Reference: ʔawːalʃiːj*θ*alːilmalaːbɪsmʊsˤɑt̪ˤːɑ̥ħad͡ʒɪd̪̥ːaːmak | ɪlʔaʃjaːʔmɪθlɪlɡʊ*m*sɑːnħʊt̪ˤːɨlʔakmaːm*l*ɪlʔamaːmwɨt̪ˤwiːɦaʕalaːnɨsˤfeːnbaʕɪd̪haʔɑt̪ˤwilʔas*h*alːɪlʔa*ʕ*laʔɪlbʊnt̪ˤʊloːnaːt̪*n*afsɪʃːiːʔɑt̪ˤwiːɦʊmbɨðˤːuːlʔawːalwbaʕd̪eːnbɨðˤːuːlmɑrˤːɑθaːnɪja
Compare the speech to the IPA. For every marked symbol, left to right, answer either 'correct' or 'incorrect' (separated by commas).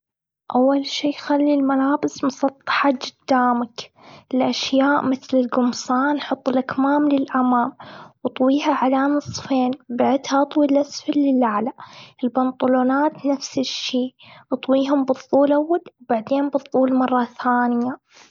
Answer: incorrect, correct, correct, incorrect, correct, correct